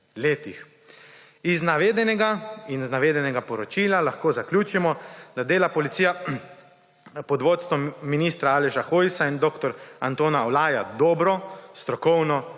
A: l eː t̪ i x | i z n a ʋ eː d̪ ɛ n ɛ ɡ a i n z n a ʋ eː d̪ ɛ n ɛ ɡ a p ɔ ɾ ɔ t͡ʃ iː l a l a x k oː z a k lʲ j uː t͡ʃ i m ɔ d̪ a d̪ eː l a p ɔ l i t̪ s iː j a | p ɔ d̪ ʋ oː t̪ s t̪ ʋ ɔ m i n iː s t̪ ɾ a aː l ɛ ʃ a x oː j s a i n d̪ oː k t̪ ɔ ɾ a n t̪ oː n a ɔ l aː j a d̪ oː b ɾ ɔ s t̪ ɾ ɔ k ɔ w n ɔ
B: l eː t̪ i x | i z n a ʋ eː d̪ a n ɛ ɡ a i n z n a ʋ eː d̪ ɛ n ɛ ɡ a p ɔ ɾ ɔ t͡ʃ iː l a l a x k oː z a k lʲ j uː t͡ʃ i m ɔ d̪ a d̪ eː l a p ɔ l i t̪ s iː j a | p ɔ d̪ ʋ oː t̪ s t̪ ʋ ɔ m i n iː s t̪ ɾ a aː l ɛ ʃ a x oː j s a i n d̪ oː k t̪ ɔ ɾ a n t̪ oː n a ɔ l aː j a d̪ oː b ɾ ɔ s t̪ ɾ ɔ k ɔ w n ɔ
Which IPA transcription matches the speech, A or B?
A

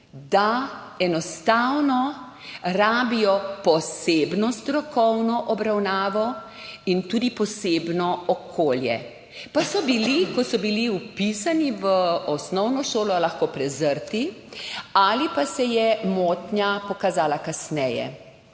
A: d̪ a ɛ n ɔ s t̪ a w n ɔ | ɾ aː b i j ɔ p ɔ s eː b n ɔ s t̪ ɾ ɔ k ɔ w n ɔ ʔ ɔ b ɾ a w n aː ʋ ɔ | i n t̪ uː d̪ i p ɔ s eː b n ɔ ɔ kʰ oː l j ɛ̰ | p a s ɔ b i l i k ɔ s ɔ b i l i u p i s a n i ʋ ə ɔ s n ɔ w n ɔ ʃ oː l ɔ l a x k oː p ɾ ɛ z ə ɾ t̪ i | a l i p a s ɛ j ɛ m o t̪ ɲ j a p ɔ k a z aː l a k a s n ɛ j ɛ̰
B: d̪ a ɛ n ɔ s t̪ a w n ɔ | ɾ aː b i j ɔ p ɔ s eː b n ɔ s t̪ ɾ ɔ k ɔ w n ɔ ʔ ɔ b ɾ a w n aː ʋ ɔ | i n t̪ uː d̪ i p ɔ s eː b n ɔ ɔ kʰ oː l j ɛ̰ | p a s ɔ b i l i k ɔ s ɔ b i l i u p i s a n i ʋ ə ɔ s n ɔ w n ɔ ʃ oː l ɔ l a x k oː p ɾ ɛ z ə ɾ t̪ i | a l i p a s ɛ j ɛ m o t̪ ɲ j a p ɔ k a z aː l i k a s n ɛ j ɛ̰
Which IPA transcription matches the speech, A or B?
A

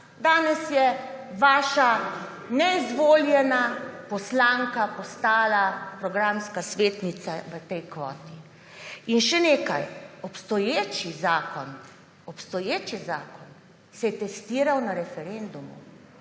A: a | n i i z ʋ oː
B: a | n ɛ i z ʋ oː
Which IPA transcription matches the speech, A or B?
B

